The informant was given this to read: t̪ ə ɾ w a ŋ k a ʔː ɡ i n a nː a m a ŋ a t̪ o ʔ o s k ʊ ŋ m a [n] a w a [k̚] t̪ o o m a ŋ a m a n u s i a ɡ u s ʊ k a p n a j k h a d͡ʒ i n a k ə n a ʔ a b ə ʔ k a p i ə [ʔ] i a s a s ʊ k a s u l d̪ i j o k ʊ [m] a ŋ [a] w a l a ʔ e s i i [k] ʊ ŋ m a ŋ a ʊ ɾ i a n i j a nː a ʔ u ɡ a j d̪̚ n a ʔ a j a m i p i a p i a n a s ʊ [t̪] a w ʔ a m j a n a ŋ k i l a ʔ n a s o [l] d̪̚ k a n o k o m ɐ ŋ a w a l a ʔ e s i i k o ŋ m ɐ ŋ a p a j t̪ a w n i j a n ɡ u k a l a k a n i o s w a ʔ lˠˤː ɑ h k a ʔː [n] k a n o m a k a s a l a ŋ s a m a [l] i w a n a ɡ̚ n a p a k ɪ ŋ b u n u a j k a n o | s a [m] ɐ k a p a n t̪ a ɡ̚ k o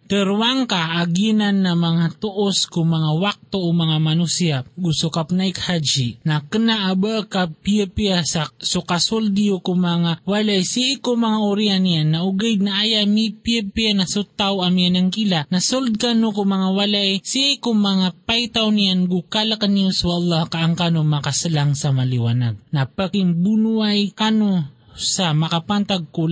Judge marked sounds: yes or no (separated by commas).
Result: no, yes, no, yes, yes, yes, yes, yes, no, yes, yes